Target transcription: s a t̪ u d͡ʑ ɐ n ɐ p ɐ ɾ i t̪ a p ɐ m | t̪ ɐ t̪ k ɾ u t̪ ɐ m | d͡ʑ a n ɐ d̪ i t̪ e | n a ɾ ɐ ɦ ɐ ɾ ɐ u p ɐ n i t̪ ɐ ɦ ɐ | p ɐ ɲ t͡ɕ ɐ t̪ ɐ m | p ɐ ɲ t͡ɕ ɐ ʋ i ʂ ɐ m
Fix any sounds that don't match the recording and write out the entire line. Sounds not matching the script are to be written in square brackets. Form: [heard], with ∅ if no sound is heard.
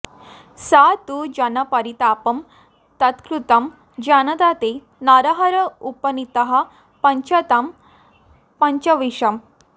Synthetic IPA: s a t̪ u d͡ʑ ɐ n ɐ p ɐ ɾ i t̪ a p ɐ m | t̪ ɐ t̪ k ɾ u t̪ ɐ m | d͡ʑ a n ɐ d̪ [a] t̪ e | n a ɾ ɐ ɦ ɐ ɾ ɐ u p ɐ n i t̪ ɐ ɦ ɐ | p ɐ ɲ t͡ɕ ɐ t̪ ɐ m | p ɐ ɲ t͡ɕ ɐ ʋ i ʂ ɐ m